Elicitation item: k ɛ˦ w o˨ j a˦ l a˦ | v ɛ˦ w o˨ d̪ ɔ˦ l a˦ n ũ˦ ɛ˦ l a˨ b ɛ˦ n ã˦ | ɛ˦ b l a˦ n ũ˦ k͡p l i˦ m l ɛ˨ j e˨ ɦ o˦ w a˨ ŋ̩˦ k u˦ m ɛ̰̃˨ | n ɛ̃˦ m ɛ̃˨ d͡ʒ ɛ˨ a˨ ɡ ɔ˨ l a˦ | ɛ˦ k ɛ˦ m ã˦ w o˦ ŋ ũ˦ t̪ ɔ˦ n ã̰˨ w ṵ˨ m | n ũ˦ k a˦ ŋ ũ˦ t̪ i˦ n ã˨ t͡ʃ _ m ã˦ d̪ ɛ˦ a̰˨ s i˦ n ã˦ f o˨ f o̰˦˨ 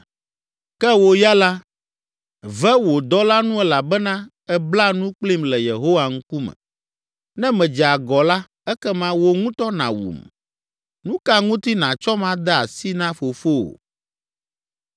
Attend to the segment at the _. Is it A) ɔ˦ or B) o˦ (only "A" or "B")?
A